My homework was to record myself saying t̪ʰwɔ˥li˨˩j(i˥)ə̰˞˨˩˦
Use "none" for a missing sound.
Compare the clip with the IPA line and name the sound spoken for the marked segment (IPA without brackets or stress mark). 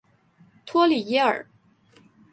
ɛ˥